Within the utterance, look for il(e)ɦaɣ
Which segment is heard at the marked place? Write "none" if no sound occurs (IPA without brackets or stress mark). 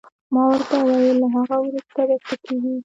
a